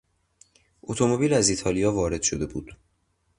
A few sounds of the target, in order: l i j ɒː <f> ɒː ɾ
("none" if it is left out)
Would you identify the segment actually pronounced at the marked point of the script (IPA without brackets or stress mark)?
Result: v